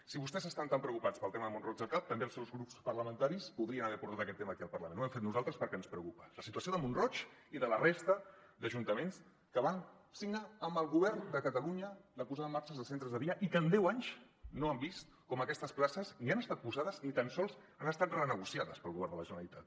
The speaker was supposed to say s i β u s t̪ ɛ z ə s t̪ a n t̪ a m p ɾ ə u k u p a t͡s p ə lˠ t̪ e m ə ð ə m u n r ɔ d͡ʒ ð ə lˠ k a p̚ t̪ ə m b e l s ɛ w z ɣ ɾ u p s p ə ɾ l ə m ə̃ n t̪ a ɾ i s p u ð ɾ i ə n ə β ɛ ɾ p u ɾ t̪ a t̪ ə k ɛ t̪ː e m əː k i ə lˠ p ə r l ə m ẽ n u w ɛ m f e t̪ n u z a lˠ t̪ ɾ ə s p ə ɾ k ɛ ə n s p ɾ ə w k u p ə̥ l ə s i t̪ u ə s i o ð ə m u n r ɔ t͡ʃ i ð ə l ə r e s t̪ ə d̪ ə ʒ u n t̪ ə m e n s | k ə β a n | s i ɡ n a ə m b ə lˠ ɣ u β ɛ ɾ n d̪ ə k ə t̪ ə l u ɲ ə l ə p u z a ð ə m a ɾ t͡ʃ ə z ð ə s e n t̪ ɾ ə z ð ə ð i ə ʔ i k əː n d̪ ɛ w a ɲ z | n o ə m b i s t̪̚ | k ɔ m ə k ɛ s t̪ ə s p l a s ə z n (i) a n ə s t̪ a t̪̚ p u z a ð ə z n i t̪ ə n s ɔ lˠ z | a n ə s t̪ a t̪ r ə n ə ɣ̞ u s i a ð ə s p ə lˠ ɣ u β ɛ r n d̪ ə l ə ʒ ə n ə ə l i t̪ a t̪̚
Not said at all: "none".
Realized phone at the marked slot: i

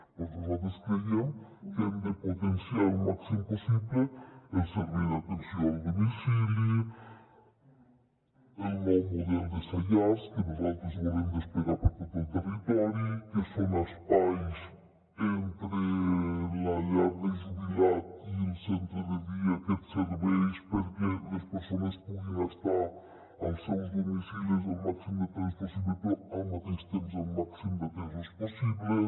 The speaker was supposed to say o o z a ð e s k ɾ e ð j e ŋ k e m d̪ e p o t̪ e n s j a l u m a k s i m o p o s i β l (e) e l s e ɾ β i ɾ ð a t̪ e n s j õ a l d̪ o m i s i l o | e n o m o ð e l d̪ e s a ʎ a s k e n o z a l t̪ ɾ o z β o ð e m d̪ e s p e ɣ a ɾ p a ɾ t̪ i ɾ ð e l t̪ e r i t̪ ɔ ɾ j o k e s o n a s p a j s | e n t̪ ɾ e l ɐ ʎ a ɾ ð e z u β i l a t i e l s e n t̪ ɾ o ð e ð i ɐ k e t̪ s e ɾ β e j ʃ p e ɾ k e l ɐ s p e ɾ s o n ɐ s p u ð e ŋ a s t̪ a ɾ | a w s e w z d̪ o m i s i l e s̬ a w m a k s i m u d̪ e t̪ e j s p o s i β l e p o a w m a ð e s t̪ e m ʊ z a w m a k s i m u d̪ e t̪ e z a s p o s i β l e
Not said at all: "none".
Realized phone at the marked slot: e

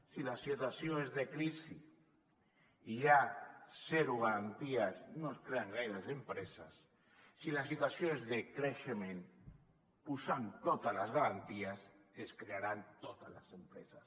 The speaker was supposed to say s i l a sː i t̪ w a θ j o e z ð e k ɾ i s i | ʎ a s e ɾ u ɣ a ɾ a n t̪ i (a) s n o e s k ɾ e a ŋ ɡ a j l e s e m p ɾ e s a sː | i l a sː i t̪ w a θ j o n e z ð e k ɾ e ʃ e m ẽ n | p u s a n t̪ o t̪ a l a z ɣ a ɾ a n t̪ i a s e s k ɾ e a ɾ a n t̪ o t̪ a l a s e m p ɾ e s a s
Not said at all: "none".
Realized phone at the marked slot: a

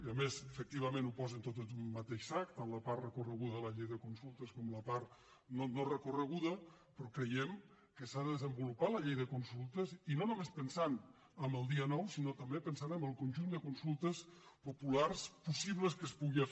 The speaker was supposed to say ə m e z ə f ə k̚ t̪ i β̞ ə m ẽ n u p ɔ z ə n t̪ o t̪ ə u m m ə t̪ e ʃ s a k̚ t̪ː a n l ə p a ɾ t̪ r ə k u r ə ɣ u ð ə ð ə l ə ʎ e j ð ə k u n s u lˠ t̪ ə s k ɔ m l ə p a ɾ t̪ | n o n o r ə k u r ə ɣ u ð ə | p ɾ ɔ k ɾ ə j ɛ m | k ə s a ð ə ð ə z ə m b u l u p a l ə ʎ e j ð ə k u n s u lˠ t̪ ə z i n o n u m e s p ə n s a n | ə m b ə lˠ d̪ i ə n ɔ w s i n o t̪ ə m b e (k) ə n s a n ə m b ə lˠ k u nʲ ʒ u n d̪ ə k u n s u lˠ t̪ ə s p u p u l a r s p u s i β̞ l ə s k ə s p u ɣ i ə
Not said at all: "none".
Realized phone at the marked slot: p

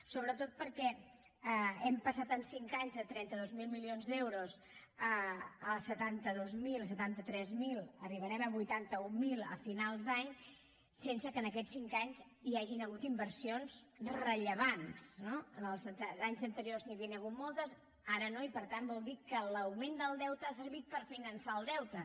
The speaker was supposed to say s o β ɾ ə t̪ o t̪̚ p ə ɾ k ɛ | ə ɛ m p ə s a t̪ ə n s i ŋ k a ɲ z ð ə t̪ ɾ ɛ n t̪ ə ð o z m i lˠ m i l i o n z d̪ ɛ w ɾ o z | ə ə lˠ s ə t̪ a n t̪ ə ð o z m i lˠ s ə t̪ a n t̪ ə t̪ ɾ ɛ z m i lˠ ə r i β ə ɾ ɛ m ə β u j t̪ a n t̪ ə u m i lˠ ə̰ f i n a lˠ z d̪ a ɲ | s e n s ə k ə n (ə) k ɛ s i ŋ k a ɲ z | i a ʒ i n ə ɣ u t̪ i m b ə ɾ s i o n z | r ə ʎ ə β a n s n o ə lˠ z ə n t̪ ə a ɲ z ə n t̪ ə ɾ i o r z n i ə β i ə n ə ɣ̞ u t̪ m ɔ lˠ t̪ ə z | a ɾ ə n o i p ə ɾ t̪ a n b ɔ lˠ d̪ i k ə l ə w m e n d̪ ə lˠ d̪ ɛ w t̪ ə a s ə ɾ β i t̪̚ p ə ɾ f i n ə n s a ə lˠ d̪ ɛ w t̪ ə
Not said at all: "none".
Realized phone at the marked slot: ə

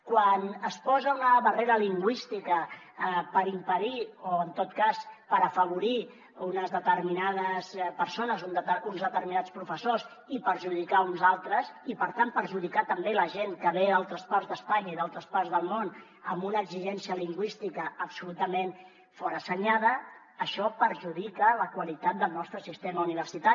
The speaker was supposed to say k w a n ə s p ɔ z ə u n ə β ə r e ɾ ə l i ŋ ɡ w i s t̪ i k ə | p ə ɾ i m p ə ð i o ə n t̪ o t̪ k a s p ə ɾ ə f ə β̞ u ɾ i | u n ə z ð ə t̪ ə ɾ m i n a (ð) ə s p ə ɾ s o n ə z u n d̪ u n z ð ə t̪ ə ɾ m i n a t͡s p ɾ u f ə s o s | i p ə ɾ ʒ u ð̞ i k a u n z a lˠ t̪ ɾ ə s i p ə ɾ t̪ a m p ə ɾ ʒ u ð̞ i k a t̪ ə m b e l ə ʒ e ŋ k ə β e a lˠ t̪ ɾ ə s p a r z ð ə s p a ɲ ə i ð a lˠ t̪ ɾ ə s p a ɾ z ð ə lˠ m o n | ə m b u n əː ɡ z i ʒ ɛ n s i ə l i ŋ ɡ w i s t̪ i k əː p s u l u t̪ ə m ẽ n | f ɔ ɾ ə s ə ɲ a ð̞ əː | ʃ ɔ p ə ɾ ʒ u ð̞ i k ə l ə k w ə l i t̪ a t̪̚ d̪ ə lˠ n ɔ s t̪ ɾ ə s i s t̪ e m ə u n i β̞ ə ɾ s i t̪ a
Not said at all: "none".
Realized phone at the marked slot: ð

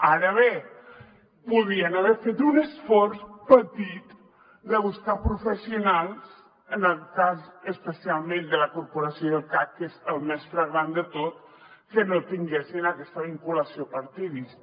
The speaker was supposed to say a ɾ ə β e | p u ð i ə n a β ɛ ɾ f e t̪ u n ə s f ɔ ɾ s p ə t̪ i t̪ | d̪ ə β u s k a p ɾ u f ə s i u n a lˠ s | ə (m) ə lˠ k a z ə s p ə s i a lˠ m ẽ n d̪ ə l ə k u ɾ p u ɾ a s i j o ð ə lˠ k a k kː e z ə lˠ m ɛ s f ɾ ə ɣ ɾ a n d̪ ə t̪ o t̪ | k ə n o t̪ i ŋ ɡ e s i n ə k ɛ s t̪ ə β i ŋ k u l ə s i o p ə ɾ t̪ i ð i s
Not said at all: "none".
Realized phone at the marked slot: n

